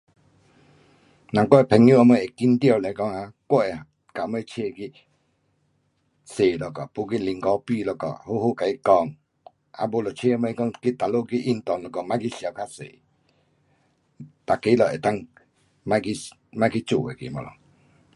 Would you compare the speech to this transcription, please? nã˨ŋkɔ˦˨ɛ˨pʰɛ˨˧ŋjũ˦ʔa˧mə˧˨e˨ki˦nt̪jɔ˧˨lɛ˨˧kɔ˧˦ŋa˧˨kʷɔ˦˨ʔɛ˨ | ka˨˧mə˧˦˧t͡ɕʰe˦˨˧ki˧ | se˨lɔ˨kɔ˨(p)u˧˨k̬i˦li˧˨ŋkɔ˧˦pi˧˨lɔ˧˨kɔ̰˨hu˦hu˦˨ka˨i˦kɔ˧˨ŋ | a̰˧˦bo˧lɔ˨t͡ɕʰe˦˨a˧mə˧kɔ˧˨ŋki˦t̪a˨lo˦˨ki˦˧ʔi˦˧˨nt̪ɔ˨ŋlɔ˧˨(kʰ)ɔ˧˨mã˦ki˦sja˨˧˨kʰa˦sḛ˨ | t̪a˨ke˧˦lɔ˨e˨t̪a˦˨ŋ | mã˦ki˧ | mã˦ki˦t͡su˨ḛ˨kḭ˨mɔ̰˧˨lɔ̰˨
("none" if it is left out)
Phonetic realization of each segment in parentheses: p, k

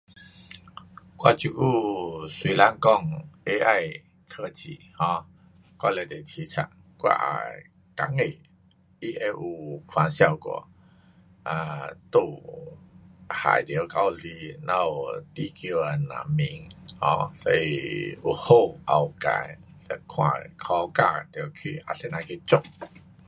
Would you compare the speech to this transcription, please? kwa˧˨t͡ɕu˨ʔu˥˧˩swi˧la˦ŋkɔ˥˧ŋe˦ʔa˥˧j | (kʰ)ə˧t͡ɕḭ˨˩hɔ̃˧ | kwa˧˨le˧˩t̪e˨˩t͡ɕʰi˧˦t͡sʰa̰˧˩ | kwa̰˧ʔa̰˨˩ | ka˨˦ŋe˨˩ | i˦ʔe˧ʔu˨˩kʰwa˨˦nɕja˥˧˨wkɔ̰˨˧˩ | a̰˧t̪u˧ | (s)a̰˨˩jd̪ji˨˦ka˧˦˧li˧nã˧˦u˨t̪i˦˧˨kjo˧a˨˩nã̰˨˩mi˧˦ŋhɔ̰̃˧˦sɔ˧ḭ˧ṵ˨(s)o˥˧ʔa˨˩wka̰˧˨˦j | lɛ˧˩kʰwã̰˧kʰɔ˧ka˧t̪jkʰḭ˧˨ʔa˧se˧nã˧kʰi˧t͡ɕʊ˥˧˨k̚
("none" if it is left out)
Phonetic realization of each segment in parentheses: kʰ, h, h

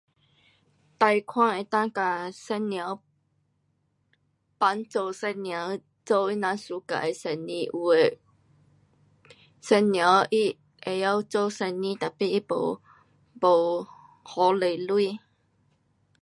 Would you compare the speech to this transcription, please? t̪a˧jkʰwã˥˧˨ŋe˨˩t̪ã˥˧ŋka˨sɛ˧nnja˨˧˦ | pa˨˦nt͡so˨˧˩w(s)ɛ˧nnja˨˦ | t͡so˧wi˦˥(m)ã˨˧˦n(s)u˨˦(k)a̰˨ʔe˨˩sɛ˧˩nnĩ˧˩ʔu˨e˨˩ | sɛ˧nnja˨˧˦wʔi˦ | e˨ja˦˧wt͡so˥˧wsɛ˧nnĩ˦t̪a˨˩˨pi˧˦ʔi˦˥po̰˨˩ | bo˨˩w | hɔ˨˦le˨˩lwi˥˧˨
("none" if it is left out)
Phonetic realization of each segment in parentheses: s, n, s, k

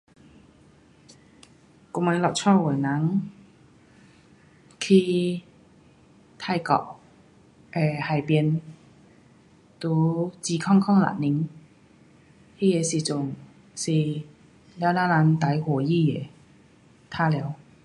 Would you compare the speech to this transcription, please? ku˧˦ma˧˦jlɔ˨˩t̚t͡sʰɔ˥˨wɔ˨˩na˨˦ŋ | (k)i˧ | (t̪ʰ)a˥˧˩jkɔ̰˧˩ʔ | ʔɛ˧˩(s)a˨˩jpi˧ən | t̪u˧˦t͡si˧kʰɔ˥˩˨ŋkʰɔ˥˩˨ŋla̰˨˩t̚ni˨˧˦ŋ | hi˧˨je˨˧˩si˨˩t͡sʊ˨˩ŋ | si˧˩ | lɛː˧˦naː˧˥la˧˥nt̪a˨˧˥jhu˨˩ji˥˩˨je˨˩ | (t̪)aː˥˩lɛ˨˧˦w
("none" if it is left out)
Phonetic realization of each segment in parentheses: kʰ, t̪ʰ, h, t̪ʰ

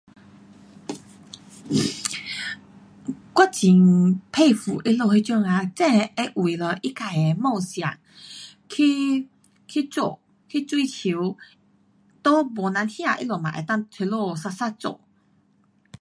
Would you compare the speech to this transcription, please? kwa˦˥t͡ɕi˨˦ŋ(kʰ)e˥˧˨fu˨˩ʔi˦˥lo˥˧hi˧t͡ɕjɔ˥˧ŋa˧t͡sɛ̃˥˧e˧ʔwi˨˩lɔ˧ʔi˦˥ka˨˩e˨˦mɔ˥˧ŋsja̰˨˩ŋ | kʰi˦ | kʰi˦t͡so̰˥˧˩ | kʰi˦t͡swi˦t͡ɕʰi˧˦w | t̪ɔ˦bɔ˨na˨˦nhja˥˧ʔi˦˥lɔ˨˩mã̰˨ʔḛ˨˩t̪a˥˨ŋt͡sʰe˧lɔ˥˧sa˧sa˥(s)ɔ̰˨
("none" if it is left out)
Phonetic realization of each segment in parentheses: pʰ, t͡s

